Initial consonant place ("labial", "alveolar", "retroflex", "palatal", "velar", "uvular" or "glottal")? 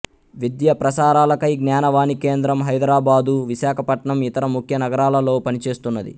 labial